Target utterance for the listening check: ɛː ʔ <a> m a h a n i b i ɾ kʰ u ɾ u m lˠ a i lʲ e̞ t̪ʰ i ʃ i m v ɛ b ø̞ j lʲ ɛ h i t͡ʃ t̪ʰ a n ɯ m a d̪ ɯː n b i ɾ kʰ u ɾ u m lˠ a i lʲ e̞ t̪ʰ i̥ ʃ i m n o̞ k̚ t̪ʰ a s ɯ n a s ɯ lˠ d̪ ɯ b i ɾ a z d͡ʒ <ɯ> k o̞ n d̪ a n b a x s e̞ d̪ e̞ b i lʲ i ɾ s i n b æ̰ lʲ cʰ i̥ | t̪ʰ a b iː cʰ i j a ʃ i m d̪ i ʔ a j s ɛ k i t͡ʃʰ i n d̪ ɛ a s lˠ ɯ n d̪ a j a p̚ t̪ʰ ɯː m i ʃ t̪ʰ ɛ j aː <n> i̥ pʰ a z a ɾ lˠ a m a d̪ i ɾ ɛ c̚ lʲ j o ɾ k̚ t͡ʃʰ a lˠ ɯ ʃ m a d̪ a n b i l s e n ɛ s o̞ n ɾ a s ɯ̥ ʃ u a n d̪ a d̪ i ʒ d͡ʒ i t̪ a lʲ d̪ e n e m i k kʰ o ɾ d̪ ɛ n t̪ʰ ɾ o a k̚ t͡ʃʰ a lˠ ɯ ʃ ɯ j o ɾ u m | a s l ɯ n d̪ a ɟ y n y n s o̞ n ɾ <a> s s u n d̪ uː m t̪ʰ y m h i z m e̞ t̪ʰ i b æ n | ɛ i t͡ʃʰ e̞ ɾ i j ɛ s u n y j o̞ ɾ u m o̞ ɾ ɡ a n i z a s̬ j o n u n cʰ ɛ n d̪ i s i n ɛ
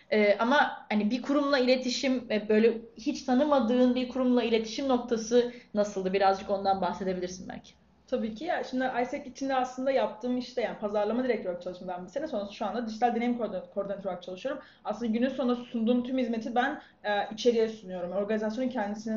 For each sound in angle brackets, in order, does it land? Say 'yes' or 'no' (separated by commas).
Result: yes, yes, yes, yes